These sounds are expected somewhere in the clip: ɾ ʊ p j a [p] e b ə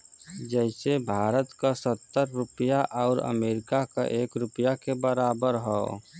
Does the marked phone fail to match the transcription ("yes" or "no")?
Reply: yes